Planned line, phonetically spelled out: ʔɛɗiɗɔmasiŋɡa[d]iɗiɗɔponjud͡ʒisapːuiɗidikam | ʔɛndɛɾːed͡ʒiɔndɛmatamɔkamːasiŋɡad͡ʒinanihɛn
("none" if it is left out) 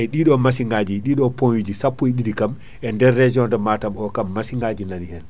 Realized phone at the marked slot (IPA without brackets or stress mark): d͡ʒ